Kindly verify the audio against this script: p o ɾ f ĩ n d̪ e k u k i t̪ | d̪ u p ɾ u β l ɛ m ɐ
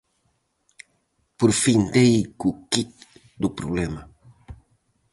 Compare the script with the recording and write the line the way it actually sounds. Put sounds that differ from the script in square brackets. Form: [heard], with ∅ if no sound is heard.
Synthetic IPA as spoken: p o ɾ f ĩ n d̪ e k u k i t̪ | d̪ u p ɾ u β l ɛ m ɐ